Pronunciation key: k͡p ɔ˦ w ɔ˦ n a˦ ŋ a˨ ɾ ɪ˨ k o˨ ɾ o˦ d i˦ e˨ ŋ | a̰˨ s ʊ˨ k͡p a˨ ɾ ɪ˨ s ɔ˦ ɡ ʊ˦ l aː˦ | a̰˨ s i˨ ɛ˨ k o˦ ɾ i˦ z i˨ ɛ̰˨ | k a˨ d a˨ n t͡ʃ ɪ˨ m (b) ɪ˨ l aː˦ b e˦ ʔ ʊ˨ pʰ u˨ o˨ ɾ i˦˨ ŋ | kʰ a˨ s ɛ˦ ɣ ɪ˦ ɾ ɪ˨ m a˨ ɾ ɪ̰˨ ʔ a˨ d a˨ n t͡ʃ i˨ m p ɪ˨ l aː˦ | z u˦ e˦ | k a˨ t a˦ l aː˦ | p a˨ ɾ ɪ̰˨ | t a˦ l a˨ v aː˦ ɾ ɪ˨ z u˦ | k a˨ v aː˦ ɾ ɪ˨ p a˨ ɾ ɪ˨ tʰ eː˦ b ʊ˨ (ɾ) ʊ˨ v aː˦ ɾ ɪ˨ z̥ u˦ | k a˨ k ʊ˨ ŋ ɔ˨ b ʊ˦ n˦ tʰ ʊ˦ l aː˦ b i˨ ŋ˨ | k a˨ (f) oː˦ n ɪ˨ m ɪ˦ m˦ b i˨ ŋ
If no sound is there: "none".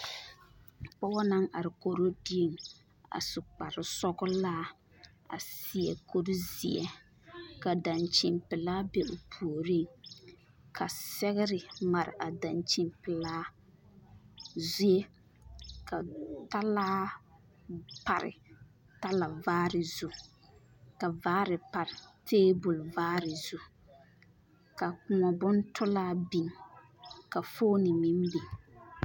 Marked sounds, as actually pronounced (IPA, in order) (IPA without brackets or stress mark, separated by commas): p, l, f